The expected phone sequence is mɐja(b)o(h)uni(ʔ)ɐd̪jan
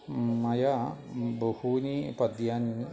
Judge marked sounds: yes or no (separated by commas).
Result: yes, yes, no